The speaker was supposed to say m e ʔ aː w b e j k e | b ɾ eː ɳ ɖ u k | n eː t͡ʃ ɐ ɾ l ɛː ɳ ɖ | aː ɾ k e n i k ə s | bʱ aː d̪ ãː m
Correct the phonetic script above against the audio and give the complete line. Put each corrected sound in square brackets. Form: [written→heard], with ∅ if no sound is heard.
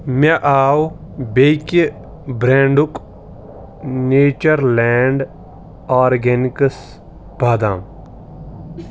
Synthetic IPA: m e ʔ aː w b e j k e | b ɾ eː ɳ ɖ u k | n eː t͡ʃ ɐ ɾ l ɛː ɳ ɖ | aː ɾ [k→ɡ] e n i k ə s | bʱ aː d̪ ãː m

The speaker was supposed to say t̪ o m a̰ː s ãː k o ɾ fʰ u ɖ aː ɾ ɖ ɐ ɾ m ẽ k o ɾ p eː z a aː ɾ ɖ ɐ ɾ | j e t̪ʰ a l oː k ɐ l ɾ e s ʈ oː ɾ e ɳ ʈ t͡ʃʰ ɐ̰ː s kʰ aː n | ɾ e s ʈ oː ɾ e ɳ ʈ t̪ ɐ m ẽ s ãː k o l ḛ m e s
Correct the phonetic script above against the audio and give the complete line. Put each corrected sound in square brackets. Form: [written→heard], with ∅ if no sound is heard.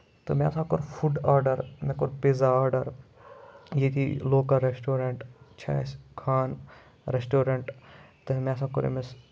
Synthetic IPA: t̪ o m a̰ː s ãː k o ɾ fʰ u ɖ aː ɾ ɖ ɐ ɾ m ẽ k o ɾ p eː z a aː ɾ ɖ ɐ ɾ | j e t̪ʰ [a→i] l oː k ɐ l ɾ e s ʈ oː ɾ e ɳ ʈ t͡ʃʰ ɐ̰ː s kʰ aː n | ɾ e s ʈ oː ɾ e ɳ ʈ t̪ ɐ m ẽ s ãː k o [l→ɾ] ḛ m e s

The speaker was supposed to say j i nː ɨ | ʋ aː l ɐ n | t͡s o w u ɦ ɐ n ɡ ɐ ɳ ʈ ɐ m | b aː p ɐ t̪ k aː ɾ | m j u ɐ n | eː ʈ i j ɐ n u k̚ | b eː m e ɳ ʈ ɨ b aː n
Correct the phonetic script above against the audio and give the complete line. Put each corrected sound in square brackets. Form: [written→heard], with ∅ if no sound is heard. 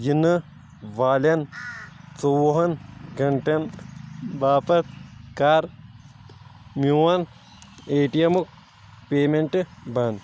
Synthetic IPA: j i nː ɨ | ʋ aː l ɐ n | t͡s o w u ɦ ɐ n ɡ ɐ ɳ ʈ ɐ [m→n] | b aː p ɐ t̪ k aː ɾ | m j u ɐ n | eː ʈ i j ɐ [n→m] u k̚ | [b→p] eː m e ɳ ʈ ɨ b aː n

